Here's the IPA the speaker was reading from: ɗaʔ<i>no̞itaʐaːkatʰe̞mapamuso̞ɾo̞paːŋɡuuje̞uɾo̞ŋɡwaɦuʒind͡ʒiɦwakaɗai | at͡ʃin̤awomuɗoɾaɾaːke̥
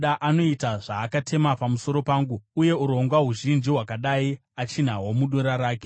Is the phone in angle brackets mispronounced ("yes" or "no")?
yes